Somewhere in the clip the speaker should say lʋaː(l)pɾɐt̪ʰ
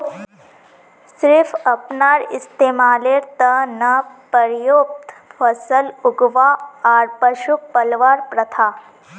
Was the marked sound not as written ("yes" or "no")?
yes